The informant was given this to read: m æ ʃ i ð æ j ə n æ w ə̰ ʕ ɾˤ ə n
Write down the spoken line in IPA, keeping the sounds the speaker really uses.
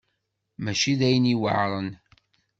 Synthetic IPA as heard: m æ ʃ i ð æ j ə n i w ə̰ ʕ ɾˤ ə n